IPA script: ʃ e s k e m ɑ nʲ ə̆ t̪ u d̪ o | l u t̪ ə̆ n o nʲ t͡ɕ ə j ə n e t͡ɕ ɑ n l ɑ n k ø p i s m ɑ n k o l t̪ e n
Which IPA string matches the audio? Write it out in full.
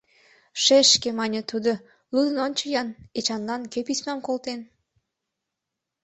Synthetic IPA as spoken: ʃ e ʃ k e m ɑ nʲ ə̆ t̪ u d̪ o | l u d̪ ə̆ n o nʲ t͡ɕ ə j ɑ n e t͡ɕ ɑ n l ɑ n k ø p i s m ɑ m k o l t̪ e n